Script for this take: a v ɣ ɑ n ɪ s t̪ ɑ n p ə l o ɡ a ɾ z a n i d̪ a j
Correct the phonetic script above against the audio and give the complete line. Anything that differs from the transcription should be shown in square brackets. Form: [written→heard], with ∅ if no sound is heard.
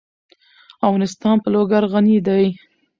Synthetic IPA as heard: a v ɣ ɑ n ɪ s t̪ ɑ n p ə l o ɡ a ɾ [z→ɣ] a n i d̪ a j